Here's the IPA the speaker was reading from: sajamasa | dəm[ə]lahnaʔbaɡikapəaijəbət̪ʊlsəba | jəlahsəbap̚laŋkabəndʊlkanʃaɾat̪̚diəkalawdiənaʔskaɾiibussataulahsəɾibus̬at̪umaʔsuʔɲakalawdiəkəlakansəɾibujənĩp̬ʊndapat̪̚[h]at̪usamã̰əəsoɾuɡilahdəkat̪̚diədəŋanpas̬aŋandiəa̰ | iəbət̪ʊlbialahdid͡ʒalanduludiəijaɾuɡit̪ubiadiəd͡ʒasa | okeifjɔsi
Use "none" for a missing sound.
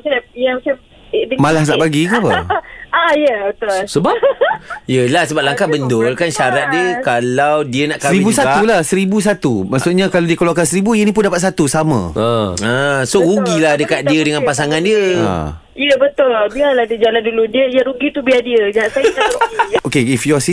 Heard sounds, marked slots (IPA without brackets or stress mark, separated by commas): a, s